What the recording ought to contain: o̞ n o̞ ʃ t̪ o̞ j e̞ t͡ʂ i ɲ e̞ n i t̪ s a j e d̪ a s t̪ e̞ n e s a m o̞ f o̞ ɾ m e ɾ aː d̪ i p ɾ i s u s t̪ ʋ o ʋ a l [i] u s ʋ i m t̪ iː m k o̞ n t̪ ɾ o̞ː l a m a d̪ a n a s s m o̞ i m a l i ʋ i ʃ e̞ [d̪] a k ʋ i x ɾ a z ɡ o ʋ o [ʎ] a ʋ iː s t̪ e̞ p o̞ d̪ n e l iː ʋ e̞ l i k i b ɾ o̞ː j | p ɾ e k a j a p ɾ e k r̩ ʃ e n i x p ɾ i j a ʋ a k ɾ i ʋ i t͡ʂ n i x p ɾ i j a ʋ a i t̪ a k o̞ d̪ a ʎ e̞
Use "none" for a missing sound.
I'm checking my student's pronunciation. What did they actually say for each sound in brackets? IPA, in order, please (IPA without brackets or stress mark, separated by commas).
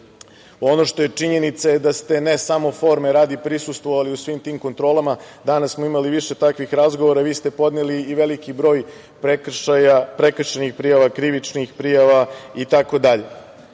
i, t̪, ɾ